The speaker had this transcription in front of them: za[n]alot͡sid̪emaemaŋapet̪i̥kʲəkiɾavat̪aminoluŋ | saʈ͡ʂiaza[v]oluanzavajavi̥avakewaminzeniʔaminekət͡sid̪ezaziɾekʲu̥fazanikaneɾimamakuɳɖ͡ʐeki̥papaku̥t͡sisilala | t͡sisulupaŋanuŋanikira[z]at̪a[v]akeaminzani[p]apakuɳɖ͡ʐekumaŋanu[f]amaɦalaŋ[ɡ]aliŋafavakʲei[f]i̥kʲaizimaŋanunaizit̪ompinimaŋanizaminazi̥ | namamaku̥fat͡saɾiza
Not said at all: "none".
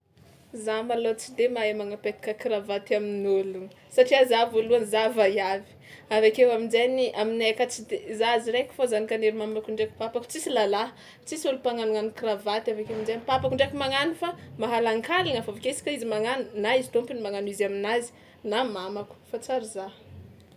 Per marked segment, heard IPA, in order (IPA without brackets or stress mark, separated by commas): m, v, v, v, p, f, k, s